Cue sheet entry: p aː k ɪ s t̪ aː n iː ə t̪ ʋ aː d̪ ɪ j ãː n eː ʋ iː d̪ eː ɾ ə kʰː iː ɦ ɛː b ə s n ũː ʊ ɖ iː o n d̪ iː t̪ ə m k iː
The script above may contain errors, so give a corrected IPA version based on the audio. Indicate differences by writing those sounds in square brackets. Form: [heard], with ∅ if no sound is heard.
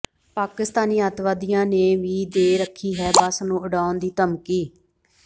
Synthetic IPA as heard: p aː k ɪ s t̪ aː n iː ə t̪ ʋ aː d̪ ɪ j ãː n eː ʋ iː d̪ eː ɾ ə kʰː iː ɦ ɛː b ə s n ũː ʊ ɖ [aː] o n d̪ iː t̪ ə m k iː